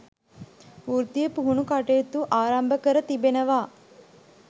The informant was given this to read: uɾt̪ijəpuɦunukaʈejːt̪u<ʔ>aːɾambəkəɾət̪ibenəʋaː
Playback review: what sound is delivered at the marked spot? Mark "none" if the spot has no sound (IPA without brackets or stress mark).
ʔ